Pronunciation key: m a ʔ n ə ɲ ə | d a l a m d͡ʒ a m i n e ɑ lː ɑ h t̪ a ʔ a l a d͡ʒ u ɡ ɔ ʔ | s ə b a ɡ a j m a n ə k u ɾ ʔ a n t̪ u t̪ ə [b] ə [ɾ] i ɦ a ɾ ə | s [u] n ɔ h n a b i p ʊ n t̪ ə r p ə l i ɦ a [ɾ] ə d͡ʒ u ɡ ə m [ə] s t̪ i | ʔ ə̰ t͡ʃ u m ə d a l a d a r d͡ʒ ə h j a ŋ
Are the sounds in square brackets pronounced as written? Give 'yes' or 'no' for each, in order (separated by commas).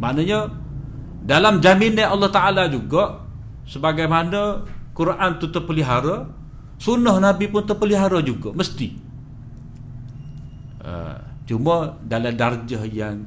no, no, yes, yes, yes